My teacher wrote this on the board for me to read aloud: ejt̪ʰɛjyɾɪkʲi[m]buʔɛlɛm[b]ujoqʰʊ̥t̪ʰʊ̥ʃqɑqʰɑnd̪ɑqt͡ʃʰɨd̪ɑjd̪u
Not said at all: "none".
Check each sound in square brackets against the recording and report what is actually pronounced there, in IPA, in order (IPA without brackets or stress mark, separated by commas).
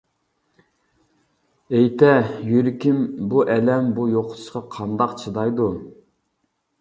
m, b